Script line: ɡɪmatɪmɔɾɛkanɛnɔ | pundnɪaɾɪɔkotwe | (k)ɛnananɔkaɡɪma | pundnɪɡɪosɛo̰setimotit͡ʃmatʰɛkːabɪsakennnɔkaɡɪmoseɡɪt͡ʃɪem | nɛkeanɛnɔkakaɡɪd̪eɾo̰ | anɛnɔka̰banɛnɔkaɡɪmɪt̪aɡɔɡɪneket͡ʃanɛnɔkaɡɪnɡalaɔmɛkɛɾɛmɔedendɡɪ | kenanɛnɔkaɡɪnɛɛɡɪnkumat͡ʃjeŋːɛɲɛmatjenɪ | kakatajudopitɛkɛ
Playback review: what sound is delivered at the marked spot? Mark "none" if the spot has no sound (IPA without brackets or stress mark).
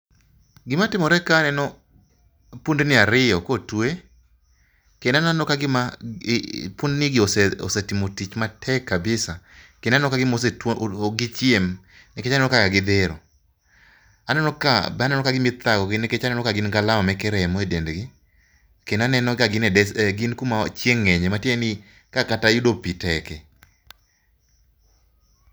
k